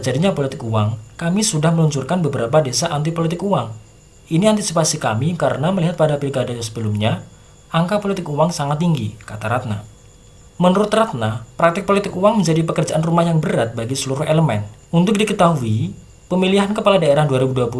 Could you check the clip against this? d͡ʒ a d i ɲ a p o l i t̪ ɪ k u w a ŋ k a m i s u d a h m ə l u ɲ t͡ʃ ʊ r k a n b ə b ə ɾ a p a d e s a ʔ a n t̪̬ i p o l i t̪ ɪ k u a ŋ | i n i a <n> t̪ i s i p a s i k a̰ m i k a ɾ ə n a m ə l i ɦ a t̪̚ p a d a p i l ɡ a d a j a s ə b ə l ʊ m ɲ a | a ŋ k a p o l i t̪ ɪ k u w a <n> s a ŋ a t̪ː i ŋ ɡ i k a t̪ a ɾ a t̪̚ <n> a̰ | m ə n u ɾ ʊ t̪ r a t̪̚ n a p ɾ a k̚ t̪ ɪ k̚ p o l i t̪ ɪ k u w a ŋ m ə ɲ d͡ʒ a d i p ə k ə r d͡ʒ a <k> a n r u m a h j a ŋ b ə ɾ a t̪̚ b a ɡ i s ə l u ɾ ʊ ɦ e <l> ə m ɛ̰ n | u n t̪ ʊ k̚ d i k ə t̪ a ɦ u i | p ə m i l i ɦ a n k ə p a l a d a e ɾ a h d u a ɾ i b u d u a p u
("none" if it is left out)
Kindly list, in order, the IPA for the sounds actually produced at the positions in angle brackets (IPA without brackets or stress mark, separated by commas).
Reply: n, ŋ, n, ʔ, l